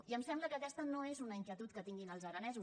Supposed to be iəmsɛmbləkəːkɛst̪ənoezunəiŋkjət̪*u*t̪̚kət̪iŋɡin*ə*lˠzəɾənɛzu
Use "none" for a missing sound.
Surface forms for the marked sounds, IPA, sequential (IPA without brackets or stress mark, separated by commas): u, ə